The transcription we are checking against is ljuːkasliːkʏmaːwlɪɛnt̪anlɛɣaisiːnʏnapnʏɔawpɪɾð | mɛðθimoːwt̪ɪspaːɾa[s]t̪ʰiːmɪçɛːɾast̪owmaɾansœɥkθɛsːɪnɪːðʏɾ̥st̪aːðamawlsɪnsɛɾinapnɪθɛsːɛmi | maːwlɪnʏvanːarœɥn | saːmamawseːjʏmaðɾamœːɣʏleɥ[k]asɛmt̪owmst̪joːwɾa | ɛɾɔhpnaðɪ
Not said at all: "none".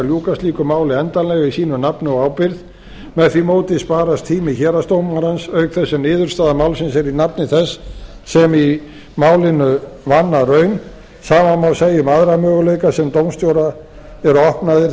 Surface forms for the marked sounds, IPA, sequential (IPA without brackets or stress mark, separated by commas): s, k